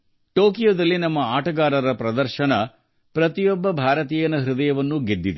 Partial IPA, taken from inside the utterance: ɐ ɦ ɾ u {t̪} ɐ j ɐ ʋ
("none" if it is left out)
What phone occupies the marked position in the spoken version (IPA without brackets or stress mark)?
d̪